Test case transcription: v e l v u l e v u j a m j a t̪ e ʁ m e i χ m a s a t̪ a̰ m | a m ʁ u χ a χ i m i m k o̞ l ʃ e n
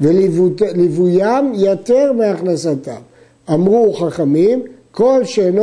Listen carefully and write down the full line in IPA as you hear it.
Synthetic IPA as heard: v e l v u l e v u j a m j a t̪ e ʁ m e a χ n a s a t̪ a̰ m | a m ʁ u χ a χ a m i m k o̞ l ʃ e n